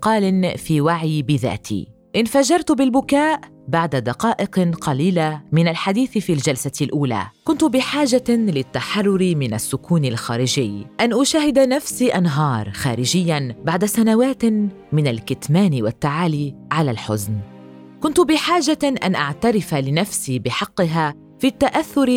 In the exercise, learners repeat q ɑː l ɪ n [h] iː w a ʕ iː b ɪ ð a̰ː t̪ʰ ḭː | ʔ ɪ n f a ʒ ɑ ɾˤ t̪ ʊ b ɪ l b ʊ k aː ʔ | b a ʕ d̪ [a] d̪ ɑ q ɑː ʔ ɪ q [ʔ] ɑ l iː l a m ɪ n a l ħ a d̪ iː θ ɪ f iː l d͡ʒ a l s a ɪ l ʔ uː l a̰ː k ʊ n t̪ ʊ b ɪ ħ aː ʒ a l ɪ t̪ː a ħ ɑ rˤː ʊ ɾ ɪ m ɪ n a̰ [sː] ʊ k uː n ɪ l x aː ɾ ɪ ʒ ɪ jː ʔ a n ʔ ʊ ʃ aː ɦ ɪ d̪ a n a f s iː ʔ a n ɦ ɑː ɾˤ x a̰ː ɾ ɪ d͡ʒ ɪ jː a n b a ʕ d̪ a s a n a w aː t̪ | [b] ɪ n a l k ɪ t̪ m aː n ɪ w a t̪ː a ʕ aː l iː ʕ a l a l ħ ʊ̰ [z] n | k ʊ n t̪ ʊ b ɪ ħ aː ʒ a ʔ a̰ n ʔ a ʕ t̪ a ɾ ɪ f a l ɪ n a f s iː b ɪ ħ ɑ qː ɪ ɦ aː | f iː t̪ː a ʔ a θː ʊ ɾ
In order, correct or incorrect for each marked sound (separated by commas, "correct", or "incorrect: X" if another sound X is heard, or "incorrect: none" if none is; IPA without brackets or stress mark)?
incorrect: f, correct, incorrect: q, correct, incorrect: m, correct